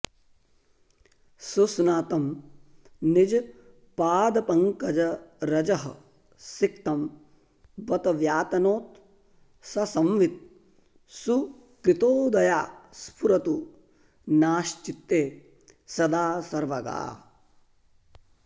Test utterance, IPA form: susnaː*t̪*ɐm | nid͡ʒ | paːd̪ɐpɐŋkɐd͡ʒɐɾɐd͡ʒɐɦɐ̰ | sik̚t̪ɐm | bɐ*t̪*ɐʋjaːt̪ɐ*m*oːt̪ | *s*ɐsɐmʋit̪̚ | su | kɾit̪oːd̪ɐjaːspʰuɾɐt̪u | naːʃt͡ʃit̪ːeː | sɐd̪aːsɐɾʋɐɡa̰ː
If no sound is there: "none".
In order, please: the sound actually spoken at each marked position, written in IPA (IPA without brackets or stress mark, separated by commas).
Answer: t̪, t̪, n, s